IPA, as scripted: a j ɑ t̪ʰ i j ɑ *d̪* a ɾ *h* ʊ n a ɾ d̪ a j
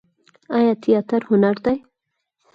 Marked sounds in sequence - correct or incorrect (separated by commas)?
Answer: incorrect, correct